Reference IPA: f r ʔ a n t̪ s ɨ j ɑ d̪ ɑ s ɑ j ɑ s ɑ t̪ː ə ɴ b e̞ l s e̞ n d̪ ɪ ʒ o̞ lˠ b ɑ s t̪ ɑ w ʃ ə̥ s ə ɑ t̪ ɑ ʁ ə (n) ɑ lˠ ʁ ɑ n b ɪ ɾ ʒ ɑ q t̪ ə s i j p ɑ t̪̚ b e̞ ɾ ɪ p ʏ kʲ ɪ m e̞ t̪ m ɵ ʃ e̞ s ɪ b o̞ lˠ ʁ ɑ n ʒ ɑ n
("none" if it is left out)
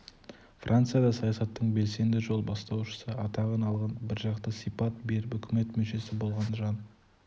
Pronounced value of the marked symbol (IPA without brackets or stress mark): n